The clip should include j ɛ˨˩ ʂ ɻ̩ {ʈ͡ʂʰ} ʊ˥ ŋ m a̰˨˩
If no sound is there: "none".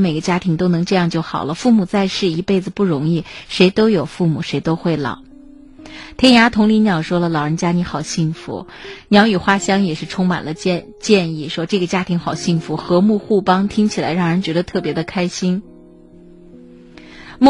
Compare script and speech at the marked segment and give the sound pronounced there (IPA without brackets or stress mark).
ʈ͡ʂʰ